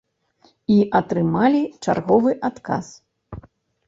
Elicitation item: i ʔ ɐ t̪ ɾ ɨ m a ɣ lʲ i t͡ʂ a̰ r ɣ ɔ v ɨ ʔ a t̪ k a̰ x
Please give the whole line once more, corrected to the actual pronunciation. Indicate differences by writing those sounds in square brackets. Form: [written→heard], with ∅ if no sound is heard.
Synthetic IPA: i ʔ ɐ t̪ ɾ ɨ m a [ɣ→∅] lʲ i t͡ʂ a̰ r ɣ ɔ v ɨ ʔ a t̪ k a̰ [x→s]